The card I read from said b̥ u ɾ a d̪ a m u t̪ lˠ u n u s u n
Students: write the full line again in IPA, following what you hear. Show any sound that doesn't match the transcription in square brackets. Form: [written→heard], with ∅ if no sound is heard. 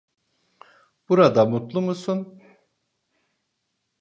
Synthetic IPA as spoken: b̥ u ɾ a d̪ a m u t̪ lˠ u [n→m] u s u n